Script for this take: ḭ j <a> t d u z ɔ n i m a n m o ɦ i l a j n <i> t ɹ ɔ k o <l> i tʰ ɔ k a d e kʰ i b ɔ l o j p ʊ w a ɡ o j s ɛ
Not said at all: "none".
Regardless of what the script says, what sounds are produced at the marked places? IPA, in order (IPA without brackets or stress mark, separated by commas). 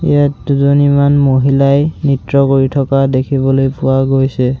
a, i, ɹ